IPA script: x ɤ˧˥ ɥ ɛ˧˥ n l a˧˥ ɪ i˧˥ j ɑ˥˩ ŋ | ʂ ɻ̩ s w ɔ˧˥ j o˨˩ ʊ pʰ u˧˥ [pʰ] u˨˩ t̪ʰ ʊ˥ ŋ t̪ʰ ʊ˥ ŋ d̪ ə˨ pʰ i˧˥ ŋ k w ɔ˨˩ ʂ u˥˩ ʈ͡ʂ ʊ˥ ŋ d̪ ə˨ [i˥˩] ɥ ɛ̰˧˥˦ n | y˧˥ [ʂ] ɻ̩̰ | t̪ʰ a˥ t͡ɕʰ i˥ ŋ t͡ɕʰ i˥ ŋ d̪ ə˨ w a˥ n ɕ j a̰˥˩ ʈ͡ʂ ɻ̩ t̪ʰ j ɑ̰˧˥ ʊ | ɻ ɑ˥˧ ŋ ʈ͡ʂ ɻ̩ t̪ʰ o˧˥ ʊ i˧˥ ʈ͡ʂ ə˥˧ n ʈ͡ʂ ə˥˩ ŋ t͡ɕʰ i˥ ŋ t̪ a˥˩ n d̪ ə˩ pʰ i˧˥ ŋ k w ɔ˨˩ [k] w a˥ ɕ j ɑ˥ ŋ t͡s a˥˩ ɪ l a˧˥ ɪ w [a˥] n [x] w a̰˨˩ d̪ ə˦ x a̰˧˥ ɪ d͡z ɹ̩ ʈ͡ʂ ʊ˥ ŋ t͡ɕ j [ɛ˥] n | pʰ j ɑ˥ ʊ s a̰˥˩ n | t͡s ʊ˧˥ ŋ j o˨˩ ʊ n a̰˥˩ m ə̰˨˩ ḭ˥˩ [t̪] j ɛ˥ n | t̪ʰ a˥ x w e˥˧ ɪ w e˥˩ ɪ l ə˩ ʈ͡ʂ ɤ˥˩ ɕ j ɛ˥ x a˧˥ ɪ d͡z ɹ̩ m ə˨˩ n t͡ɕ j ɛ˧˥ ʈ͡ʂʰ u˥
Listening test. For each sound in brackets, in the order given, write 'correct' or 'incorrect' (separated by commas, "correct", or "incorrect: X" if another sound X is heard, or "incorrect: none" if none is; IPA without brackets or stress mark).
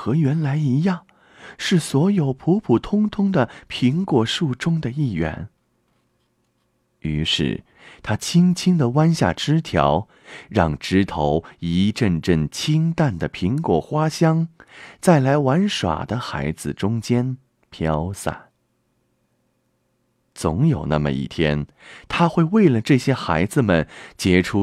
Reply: correct, correct, correct, incorrect: x, incorrect: a˧˥, incorrect: ʂ, correct, incorrect: t̪ʰ